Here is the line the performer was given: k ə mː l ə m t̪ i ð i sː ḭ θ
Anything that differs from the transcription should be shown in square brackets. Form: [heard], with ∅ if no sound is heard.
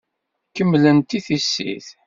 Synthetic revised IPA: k ə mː l ə [n] t̪ i [θ] i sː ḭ θ